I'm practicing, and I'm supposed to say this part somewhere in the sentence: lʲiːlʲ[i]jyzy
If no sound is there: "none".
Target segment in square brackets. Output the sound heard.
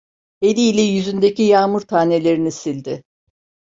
ɛ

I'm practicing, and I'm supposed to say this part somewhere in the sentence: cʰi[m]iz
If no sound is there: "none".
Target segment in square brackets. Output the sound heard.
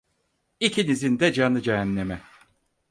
n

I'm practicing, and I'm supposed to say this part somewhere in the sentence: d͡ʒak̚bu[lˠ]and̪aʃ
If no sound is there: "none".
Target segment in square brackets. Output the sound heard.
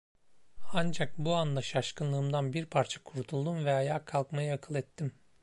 none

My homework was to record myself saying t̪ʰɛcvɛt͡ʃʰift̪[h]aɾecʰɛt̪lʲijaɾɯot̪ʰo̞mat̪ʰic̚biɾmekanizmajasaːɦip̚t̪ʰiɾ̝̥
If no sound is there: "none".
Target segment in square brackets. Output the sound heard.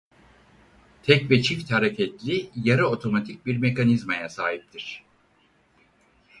h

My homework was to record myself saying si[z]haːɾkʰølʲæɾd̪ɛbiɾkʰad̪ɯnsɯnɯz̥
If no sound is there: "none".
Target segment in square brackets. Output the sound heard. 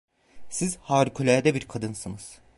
z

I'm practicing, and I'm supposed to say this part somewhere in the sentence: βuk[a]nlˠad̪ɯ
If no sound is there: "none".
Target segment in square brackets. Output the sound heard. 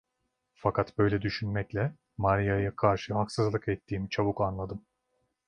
a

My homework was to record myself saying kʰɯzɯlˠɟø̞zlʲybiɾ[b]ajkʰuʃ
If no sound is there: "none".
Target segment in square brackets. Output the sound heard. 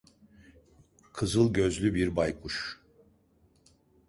b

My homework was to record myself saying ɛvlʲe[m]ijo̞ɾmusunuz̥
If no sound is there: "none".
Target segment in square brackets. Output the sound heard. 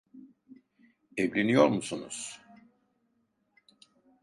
n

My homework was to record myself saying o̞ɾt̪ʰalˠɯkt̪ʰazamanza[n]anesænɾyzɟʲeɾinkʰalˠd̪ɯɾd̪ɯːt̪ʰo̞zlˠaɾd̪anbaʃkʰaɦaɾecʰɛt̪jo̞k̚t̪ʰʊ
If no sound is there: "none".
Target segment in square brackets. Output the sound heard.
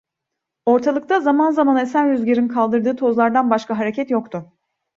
m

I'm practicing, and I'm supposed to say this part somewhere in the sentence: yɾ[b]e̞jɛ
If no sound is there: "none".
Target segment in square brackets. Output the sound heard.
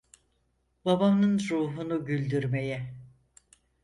m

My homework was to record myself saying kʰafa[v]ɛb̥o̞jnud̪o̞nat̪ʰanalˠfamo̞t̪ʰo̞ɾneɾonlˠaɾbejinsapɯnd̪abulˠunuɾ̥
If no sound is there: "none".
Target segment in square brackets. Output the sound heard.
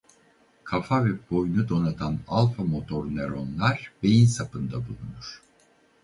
v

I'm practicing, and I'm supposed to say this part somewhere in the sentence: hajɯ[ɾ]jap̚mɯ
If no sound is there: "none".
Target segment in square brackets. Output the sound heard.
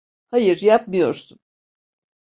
ɾ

